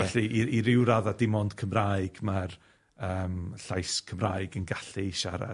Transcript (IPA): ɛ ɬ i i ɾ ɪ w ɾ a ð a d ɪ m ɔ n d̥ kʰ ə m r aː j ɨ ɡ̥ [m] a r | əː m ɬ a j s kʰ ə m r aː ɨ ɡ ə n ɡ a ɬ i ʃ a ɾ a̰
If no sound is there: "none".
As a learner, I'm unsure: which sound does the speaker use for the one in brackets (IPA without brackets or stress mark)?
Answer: m